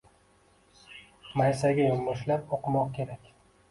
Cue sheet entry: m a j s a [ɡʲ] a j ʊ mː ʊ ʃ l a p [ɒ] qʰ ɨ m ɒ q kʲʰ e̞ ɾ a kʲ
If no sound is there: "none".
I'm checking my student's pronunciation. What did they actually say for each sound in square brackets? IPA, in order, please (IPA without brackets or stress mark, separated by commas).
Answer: ɡʲ, o